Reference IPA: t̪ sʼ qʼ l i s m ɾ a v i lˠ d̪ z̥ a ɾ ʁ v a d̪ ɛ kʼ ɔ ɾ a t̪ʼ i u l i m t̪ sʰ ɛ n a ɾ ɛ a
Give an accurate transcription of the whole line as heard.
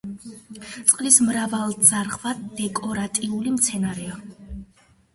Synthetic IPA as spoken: t̪ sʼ qʼ l i s m ɾ a v a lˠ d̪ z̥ a ɾ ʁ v a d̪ ɛ kʼ ɔ ɾ a t̪ʼ i u l i m t̪ sʰ ɛ n a ɾ ɛ a